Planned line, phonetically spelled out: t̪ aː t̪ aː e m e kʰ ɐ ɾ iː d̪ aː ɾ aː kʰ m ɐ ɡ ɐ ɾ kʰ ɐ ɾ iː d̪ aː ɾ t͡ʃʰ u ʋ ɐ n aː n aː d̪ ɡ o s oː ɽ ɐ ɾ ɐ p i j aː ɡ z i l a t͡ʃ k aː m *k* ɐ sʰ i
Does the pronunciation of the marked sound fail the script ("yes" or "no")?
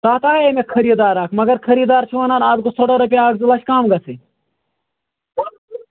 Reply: yes